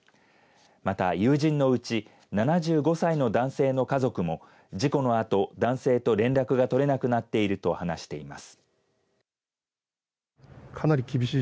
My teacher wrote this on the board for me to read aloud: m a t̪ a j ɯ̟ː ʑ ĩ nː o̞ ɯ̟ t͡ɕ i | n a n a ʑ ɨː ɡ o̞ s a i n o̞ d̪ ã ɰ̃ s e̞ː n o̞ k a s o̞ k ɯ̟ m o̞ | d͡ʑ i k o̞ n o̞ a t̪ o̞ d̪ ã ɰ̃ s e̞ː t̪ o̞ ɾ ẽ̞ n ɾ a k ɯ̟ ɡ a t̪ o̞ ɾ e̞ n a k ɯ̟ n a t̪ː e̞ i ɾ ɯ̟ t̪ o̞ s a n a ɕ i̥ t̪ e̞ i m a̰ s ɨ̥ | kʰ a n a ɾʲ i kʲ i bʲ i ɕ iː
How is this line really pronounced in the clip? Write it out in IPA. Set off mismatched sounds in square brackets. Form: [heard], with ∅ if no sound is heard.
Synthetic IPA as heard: m a t̪ a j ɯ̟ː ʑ ĩ nː o̞ ɯ̟ t͡ɕ i | n a n a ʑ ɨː ɡ o̞ s a i n o̞ d̪ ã ɰ̃ s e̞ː n o̞ k a [z] o̞ k ɯ̟ m o̞ | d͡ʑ i k o̞ n o̞ a t̪ o̞ d̪ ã ɰ̃ s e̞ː t̪ o̞ ɾ ẽ̞ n ɾ a k ɯ̟ ɡ a t̪ o̞ ɾ e̞ n a k ɯ̟ n a t̪ː e̞ i ɾ ɯ̟ t̪ o̞ [h] a n a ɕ i̥ t̪ e̞ i m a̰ s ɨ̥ | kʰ a n a ɾʲ i kʲ i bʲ i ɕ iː

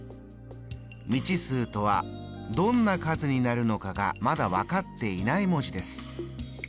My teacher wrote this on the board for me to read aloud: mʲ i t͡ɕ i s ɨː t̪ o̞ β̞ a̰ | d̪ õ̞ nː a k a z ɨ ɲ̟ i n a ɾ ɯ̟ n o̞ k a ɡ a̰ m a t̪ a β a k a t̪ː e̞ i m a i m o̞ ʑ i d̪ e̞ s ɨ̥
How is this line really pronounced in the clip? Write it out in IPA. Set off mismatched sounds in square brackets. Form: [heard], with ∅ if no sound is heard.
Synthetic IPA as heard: mʲ i t͡ɕ i s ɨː t̪ o̞ β̞ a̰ | d̪ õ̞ nː a k a z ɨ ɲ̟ i n a ɾ ɯ̟ n o̞ k a ɡ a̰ m a [d̪] a β a k a t̪ː e̞ i [n] a i m o̞ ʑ i d̪ e̞ s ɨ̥

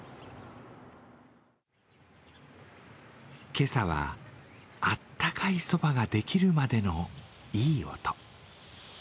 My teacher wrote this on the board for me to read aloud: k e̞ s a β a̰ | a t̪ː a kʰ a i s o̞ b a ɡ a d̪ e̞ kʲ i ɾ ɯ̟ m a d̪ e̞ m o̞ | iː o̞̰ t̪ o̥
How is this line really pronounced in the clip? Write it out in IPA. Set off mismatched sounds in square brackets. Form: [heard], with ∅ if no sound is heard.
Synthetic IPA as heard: k e̞ s a β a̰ | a t̪ː a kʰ a i s o̞ b a ɡ a d̪ e̞ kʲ i ɾ ɯ̟ m a d̪ e̞ [n] o̞ | iː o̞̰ t̪ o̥

